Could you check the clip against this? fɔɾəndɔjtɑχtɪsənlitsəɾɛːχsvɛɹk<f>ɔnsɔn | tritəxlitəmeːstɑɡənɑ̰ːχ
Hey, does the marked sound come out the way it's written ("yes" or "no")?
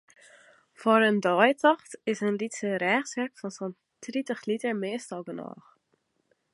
yes